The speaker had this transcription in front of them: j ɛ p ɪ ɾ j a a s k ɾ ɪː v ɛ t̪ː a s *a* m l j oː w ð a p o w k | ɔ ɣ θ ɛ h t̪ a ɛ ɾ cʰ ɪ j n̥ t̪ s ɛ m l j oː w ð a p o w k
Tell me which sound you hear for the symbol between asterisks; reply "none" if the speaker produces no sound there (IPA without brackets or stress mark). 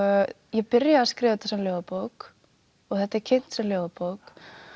ɛ